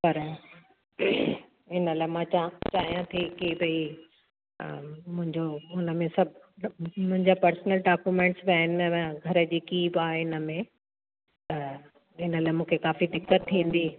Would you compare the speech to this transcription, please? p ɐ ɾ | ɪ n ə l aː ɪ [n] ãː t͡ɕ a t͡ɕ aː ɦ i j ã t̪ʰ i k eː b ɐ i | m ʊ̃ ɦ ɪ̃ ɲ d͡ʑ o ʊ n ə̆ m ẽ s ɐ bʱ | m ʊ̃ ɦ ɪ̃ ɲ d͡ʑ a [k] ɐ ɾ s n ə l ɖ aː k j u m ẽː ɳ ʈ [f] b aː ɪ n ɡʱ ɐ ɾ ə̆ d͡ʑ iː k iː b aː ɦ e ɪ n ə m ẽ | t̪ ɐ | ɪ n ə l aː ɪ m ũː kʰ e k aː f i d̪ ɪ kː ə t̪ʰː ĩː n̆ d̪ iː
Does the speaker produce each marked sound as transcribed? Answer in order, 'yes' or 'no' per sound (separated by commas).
no, no, no